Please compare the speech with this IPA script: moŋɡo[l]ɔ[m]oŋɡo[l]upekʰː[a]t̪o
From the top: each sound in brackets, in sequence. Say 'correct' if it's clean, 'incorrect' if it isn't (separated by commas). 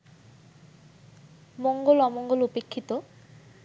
correct, correct, correct, incorrect